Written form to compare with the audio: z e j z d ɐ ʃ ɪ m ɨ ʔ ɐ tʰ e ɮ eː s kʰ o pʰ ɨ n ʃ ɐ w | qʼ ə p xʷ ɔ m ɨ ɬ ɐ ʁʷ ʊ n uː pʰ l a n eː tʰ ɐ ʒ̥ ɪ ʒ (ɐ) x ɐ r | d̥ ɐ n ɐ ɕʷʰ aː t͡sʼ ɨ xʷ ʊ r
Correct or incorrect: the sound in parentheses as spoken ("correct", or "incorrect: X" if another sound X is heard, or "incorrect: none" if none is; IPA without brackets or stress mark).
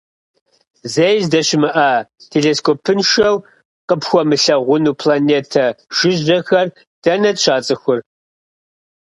correct